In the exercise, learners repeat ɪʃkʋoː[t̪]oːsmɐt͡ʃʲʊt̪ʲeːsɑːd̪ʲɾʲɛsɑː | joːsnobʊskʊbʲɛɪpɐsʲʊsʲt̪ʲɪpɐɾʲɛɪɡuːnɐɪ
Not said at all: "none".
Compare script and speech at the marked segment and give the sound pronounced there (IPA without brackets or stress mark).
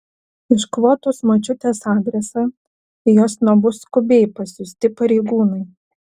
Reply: t̪